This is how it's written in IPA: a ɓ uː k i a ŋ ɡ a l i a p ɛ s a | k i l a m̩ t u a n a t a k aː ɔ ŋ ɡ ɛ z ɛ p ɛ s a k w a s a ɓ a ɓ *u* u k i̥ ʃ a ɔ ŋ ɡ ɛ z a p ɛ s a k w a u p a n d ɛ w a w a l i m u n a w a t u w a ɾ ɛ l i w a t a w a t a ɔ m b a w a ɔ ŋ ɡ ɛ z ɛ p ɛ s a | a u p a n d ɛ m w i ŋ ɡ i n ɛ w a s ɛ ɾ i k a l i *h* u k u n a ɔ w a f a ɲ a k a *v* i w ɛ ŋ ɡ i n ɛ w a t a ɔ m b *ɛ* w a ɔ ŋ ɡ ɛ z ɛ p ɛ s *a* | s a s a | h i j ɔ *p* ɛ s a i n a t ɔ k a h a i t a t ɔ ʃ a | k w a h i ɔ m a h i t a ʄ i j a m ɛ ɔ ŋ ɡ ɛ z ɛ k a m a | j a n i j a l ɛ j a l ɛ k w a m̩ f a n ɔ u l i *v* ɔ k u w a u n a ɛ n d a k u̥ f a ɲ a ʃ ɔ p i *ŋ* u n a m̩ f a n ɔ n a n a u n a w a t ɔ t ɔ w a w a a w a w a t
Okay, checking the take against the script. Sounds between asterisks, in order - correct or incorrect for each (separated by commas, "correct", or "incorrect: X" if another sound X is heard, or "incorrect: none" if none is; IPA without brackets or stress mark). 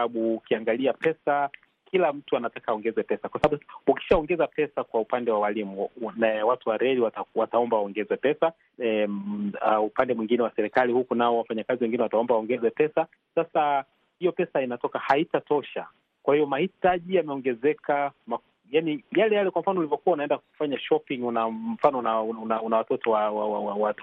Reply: correct, correct, incorrect: z, incorrect: a, correct, correct, correct, correct